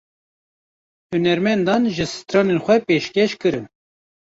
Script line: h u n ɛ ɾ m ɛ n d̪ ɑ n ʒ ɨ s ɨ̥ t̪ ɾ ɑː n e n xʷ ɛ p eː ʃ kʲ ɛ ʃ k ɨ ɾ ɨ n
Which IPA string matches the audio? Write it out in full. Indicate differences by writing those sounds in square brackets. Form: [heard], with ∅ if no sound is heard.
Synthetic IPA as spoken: h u n ɛ ɾ m ɛ n d̪ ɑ n ʒ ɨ s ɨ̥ t̪ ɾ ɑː n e n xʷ ɛ p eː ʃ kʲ ɛ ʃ k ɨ ɾ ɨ n

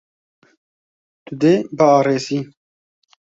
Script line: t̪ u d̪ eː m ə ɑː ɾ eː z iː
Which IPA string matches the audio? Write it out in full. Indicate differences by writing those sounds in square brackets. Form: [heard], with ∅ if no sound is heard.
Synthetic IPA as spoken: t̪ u d̪ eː [b] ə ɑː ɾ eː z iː

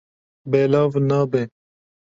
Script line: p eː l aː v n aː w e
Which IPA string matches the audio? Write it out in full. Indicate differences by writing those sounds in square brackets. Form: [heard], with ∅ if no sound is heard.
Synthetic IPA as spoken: [b] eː l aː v n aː [b] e

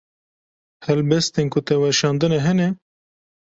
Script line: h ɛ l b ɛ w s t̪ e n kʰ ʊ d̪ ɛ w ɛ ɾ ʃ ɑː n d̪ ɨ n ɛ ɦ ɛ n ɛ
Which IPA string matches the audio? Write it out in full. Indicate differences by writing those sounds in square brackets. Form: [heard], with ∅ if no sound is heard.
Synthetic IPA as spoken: h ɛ l b ɛ [∅] s t̪ e n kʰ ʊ [t̪] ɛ w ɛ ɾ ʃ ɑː n d̪ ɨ n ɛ ɦ ɛ n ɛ

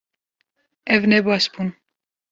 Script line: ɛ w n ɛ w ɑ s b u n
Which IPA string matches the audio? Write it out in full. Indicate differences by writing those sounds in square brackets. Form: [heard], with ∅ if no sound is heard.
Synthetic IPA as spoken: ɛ [v] n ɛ [b] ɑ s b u n

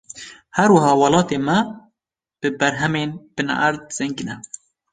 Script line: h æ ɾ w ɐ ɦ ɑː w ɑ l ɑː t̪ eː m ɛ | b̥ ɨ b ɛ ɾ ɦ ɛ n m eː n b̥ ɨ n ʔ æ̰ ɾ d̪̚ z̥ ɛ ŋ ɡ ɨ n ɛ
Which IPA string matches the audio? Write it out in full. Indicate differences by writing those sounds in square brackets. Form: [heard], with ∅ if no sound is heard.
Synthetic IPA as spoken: h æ ɾ w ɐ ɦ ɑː w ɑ l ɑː t̪ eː m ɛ | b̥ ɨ b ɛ ɾ ɦ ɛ [∅] m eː n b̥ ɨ n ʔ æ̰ ɾ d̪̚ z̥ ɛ ŋ ɡ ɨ n ɛ

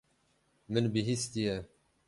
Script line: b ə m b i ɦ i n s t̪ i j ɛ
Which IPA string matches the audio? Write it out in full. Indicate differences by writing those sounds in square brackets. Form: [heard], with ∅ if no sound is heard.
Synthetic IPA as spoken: [m] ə [n] b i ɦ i [∅] s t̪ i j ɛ

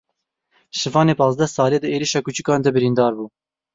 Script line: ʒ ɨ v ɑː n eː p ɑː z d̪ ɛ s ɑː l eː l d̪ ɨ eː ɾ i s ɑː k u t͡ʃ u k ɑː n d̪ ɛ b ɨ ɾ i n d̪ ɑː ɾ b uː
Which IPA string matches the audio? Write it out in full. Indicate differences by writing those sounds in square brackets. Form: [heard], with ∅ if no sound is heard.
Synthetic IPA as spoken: [ʃ] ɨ v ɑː n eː p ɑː z d̪ ɛ s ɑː l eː [∅] d̪ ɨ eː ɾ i [ʃ] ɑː k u t͡ʃ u k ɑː n d̪ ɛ b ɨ ɾ i n d̪ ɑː ɾ b uː

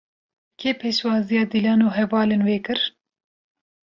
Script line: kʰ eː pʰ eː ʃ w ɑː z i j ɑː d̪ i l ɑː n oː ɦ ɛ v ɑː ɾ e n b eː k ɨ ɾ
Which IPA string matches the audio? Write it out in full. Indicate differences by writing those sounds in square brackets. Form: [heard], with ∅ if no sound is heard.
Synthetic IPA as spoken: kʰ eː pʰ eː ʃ w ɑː z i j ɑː d̪ i l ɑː n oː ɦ ɛ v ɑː [l] e n [w] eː k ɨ ɾ

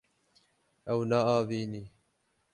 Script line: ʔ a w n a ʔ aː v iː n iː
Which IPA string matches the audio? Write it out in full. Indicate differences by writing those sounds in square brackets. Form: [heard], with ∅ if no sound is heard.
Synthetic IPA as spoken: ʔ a w n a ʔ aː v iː n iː

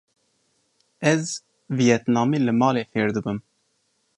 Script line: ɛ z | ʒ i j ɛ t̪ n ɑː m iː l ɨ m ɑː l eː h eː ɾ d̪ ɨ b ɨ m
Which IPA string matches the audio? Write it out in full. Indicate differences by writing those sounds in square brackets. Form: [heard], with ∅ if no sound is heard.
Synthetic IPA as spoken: ɛ z | [v] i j ɛ t̪ n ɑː m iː l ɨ m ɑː l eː [f] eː ɾ d̪ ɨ b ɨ m

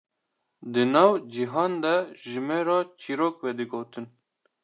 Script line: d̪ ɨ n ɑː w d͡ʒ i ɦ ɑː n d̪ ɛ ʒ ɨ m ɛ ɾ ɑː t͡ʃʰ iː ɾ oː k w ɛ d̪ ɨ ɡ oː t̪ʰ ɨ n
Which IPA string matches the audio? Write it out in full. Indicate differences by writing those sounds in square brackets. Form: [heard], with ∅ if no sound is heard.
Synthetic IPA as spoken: d̪ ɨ n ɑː w d͡ʒ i ɦ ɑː n d̪ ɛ ʒ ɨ m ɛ ɾ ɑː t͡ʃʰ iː ɾ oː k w ɛ d̪ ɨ ɡ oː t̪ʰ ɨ n

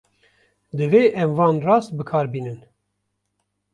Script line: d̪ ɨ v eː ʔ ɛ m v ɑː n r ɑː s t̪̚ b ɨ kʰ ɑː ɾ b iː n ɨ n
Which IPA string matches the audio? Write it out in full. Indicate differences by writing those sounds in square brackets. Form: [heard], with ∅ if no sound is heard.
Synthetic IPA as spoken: d̪ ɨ v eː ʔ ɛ m v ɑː n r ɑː s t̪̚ b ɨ kʰ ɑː ɾ b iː n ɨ n

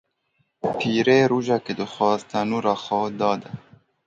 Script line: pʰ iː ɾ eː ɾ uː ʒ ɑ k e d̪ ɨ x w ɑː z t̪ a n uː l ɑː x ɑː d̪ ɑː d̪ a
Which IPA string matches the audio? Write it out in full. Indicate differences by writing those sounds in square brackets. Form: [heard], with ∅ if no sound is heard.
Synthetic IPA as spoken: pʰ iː ɾ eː ɾ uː ʒ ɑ k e d̪ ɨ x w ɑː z t̪ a n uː [ɾ] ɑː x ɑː d̪ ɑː d̪ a

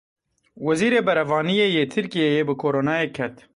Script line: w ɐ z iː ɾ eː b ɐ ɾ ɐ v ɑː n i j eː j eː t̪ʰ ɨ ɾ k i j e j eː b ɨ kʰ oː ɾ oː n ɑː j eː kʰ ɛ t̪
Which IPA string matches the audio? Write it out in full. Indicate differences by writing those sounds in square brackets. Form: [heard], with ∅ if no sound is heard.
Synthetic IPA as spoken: w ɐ z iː ɾ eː b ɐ ɾ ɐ v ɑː n i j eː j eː t̪ʰ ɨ ɾ k i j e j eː b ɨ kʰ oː ɾ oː n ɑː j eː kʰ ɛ t̪

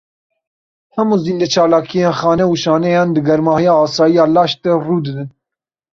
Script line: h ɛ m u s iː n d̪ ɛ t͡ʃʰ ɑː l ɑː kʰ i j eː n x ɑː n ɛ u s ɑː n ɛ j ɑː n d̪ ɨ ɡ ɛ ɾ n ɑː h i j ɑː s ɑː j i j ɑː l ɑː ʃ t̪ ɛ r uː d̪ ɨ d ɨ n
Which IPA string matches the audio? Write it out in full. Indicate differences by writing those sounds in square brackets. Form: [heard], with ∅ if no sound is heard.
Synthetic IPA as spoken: h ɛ m u [z] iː n d̪ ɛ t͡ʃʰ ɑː l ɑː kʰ i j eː n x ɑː n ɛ u [ʃ] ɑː n ɛ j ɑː n d̪ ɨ ɡ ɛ ɾ [m] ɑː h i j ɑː s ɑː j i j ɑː l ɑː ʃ t̪ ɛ r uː d̪ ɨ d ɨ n

